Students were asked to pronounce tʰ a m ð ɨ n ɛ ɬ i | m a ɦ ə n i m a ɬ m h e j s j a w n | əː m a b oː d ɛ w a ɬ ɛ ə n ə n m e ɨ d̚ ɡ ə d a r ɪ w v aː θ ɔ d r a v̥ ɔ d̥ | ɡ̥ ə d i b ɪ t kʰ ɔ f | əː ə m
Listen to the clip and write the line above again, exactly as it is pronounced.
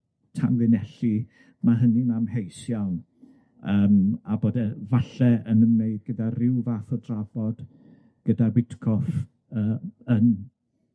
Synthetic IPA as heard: tʰ a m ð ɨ n ɛ ɬ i | m a ɦ ə n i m a m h e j s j a w n | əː m a b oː d ɛ v a ɬ ɛ ə n ə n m e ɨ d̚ ɡ ə d a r ɪ w v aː θ ɔ d r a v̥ ɔ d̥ | ɡ̥ ə d a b ɪ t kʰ ɔ f | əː ə n